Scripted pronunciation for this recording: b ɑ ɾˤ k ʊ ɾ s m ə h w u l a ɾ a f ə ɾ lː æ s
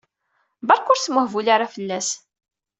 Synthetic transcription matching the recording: b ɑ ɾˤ k ʊ ɾ s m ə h v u l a ɾ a f ə lː æ s

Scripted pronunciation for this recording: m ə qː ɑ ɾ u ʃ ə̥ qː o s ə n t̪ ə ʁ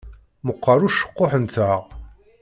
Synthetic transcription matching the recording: m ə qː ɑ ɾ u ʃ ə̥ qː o ħ ə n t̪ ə ʁ

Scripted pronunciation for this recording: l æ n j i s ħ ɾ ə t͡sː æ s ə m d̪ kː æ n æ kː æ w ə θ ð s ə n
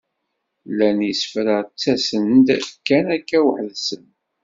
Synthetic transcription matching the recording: l æ n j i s f ɾ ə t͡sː æ s ə n d̪ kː æ n æ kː æ w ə ħ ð s ə n

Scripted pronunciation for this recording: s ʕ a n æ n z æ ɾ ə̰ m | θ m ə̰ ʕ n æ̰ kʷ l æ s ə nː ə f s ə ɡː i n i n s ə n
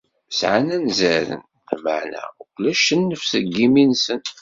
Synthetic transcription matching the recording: s ʕ a n æ n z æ ɾ ə̰ n | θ m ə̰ ʕ n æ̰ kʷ l æ ʃ ə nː ə f s ə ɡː i m i n s ə n

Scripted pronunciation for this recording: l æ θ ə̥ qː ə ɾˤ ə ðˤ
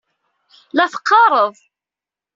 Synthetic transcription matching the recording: l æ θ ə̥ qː ɑ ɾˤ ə ðˤ

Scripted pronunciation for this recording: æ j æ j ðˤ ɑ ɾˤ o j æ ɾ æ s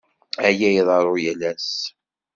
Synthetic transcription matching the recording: æ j æ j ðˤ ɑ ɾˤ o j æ l æ s

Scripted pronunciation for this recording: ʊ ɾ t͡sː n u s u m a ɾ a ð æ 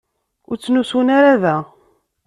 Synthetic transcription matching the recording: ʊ ɾ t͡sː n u s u n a ɾ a ð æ

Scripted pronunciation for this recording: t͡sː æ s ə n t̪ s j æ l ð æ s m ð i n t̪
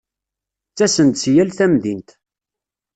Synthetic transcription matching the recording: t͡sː æ s ə n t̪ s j æ l θ æ m ð i n t̪

